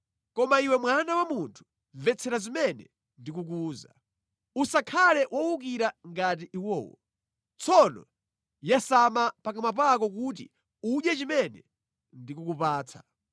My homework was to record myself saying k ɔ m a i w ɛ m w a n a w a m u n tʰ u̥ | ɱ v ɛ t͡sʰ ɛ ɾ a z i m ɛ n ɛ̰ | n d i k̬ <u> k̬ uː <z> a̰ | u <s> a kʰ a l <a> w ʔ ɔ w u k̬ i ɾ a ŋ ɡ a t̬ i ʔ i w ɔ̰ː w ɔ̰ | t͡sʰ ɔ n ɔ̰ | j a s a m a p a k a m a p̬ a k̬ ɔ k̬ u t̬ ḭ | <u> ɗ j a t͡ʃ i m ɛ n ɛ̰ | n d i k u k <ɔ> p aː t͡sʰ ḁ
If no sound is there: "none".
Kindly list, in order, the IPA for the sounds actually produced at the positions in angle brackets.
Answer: u, z, s, ɛ, u, u

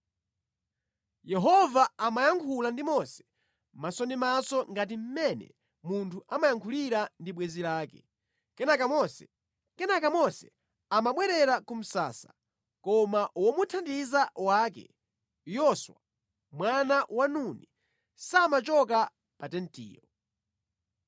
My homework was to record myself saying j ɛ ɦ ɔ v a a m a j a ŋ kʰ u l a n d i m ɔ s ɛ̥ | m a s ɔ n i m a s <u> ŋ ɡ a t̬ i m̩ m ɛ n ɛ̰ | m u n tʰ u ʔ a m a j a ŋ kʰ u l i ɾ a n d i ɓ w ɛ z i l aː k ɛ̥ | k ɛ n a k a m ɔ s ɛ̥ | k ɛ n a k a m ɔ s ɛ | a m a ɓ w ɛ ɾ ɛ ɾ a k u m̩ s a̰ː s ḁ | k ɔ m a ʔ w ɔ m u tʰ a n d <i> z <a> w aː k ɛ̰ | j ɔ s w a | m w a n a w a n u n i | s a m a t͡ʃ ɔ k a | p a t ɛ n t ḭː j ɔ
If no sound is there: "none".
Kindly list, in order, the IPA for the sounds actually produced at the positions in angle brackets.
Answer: ɔ, i, a

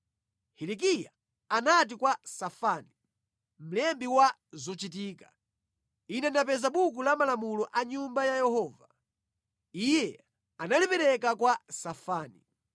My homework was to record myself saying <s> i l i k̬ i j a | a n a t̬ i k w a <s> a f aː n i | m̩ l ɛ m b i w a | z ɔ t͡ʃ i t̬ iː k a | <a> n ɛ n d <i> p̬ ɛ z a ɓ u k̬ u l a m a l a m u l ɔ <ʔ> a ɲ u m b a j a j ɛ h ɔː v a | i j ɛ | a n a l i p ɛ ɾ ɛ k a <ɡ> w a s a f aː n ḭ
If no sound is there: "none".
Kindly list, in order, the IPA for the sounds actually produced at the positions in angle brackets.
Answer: h, s, i, a, ʔ, k

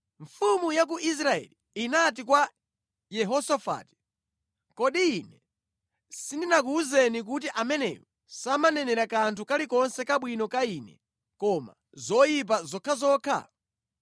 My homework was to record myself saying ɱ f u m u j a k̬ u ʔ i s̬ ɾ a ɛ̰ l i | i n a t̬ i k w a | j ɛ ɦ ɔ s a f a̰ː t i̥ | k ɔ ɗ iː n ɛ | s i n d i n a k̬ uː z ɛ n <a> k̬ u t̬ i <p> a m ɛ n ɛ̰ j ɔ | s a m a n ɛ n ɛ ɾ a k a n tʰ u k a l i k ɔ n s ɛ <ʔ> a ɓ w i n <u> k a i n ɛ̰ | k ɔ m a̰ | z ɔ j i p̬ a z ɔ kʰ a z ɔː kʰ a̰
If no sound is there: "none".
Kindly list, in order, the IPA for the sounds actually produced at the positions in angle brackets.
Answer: i, ʔ, k, ɔ

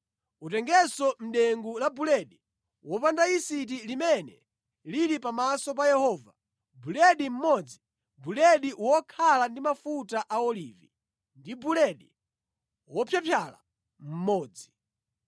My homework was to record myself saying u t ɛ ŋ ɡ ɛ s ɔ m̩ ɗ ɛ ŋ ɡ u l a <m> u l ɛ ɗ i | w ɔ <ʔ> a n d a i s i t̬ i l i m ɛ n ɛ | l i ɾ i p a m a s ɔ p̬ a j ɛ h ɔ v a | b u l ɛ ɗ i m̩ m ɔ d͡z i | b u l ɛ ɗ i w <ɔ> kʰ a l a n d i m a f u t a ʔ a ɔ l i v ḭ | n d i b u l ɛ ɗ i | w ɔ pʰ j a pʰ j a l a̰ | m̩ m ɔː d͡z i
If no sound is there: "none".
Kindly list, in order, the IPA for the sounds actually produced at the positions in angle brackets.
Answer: b, p, ɔ

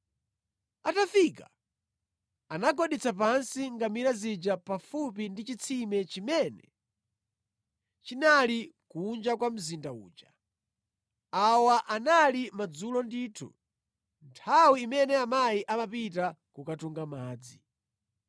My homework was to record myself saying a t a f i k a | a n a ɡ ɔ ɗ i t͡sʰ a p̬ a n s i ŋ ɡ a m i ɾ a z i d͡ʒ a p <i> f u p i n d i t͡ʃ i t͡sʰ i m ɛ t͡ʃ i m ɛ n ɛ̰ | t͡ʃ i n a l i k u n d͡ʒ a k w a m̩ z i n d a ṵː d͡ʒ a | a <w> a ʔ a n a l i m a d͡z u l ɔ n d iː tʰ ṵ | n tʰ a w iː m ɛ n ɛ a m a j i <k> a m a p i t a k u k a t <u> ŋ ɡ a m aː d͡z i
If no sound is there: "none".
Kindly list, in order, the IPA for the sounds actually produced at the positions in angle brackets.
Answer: a, w, ʔ, u

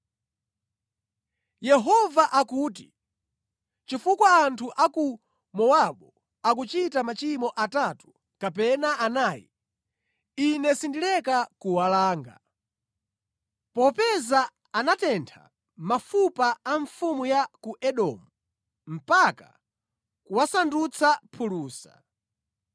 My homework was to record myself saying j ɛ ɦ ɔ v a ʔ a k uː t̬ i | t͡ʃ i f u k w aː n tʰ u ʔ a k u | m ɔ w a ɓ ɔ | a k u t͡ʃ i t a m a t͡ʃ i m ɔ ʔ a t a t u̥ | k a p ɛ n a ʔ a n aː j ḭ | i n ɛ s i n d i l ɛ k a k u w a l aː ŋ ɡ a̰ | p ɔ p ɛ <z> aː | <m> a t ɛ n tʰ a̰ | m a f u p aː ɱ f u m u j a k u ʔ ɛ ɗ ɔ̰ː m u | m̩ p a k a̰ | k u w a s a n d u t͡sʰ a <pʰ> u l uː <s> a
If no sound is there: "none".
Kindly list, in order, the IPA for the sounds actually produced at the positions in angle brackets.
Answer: z, n, pʰ, s

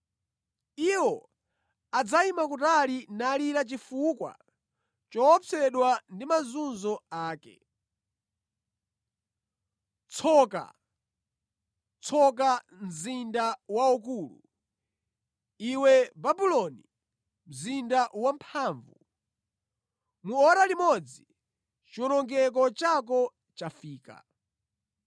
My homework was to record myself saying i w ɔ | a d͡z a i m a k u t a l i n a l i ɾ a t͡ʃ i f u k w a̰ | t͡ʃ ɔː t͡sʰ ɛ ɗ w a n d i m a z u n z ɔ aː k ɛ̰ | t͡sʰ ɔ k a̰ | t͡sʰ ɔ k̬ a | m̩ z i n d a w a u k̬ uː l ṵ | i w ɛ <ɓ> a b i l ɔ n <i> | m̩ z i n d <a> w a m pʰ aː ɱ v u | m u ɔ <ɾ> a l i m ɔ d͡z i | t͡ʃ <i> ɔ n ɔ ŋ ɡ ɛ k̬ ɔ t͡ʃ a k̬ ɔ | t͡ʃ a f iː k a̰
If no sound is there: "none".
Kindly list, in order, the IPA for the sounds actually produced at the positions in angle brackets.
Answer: b, i, a, ɾ, i

